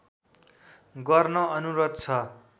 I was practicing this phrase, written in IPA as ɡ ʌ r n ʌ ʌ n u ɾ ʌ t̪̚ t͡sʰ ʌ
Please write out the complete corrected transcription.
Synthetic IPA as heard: ɡ ʌ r n ʌ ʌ n u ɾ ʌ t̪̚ t͡sʰ ʌ